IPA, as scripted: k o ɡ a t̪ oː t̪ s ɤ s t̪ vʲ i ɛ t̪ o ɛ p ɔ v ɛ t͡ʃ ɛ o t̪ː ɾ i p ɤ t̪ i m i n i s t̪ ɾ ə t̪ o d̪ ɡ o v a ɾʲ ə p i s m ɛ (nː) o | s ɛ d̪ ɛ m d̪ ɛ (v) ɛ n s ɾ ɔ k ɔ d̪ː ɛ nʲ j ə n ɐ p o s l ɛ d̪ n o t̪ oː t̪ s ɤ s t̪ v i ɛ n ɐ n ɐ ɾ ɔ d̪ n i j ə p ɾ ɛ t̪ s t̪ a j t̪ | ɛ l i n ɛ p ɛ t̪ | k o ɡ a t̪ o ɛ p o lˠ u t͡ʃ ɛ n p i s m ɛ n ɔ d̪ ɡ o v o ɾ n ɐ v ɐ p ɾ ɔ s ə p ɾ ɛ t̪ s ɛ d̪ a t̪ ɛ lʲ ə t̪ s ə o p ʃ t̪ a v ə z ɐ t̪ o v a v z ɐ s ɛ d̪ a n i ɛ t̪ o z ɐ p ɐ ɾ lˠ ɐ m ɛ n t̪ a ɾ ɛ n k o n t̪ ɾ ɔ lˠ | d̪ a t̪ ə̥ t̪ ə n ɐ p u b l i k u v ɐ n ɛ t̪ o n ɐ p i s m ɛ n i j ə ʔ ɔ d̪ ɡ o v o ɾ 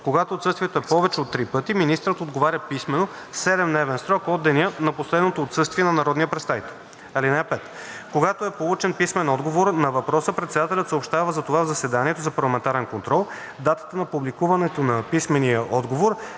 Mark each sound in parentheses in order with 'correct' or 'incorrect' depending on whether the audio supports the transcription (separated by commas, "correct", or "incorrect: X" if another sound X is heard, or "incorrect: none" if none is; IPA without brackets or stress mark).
incorrect: n, correct